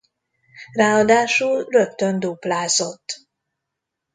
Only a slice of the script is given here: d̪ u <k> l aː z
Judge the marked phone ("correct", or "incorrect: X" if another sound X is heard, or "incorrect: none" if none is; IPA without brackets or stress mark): incorrect: p